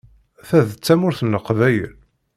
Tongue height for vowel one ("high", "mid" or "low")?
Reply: low